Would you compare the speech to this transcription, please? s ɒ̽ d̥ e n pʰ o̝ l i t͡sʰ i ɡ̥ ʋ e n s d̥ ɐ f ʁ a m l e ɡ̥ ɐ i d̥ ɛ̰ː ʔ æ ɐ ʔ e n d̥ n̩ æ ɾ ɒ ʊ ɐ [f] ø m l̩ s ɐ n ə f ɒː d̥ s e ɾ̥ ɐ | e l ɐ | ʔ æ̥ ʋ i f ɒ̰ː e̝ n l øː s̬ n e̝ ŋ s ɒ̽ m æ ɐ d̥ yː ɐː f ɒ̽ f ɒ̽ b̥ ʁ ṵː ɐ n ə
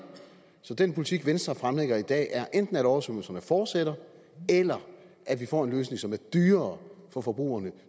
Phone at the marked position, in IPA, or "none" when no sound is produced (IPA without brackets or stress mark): s